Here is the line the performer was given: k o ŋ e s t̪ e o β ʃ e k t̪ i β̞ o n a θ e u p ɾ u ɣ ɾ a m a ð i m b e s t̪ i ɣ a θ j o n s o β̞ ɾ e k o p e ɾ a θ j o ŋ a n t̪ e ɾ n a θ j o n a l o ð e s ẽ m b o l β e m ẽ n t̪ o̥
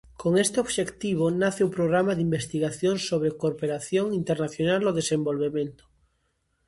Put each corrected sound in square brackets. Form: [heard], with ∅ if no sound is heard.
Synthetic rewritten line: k o ŋ e s t̪ e o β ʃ e k t̪ i β̞ o n a θ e u p ɾ [o] ɣ ɾ a m a ð i m b e s t̪ i ɣ a θ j o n s o β̞ ɾ e k o p e ɾ a θ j o ŋ [i] n t̪ e ɾ n a θ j o n a l o ð e s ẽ m b o l β e m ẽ n t̪ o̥

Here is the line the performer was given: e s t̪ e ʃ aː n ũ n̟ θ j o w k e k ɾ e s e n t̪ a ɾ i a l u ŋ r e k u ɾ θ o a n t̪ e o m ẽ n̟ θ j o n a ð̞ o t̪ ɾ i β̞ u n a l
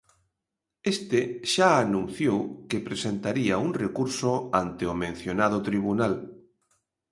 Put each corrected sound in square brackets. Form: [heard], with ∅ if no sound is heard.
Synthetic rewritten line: e s t̪ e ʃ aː n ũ n̟ θ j o w k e [p] ɾ e s e n t̪ a ɾ i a [∅] u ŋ r e k u ɾ [s] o a n t̪ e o m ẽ n̟ θ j o n a ð̞ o t̪ ɾ i β̞ u n a l

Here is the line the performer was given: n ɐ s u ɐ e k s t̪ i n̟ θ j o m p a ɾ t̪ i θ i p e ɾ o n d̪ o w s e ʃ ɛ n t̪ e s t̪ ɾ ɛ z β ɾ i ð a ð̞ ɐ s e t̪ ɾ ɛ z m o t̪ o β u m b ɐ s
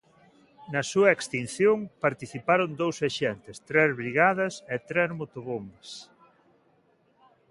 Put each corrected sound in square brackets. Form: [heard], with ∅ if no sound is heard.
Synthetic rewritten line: n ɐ s u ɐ e k s t̪ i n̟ θ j o [ŋ] p a ɾ t̪ i θ i p [a] ɾ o n d̪ o w s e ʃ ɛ n t̪ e s t̪ ɾ ɛ z β ɾ i [ɣ] a ð̞ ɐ s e t̪ ɾ ɛ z m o t̪ o β [o] m b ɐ s

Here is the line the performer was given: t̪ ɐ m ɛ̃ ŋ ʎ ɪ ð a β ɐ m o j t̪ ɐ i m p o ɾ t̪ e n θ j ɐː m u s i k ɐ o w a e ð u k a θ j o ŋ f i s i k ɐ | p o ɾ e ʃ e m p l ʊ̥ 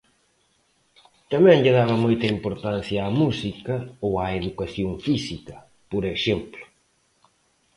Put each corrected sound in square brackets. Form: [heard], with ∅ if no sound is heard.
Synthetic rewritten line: t̪ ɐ m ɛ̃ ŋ ʎ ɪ ð a β ɐ m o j t̪ ɐ i m p o ɾ t̪ [a] n θ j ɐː m u s i k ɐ o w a e ð u k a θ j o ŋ f i s i k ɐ | p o ɾ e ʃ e m p l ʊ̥

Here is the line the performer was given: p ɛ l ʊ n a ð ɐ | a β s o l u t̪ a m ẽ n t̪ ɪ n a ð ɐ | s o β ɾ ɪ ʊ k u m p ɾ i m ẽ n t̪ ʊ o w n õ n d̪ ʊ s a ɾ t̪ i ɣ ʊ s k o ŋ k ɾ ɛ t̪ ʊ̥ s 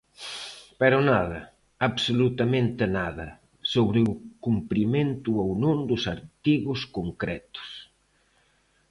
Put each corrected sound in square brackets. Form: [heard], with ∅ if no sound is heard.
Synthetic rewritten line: p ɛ [ɾ] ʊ n a ð ɐ | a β s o l u t̪ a m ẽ n t̪ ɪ n a ð ɐ | s o β ɾ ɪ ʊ k u m p ɾ i m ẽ n t̪ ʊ o w n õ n d̪ ʊ s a ɾ t̪ i ɣ ʊ s k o ŋ k ɾ ɛ t̪ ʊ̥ s

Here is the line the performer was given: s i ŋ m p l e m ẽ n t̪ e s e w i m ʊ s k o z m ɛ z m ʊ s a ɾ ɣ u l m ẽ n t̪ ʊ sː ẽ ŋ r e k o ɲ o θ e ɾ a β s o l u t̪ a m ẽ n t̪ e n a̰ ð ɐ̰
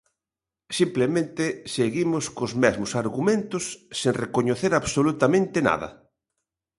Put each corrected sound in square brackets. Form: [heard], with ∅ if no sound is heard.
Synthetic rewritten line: s i [∅] m p l e m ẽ n t̪ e s e [ɣ] i m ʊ s k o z m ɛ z m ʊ s a ɾ ɣ u [∅] m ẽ n t̪ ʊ sː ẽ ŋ r e k o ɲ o θ e ɾ a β s o l u t̪ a m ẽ n t̪ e n a̰ ð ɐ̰

